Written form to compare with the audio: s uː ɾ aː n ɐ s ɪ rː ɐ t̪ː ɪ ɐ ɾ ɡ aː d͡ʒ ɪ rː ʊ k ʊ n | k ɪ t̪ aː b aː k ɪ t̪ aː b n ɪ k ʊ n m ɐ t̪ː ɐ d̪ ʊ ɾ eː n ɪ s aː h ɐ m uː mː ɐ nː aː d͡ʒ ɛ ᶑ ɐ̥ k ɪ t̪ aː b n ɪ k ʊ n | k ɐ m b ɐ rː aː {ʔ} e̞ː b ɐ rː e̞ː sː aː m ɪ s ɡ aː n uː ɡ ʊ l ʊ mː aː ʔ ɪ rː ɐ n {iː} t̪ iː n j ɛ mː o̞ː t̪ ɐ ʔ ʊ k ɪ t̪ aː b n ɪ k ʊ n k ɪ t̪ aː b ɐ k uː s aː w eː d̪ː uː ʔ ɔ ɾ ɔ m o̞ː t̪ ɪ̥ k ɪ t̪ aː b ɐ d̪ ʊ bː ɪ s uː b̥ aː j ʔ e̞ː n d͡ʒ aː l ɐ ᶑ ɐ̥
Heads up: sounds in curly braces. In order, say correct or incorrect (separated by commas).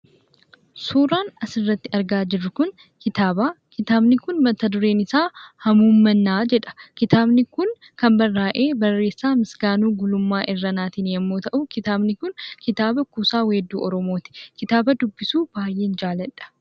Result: correct, incorrect